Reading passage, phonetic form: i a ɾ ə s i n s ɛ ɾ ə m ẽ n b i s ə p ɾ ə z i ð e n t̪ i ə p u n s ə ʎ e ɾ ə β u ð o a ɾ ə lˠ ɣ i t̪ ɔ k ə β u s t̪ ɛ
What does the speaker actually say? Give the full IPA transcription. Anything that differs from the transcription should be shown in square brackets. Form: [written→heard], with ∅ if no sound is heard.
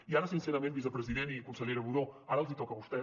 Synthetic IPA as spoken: i a ɾ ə s i n s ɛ ɾ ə m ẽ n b i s ə p ɾ ə z i ð e n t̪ i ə [p→k] u n s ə ʎ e ɾ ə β u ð o a ɾ ə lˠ [ɣ→z] i t̪ ɔ k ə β u s t̪ ɛ